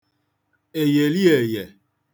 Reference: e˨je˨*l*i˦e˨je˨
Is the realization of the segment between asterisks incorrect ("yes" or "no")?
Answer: no